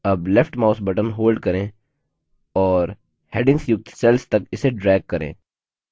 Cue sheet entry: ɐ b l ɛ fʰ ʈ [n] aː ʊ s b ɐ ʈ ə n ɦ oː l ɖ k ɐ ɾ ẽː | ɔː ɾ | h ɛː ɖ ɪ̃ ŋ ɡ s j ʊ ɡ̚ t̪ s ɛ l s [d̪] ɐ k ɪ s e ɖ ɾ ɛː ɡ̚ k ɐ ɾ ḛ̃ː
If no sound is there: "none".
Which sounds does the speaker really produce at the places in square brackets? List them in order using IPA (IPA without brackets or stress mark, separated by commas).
m, t̪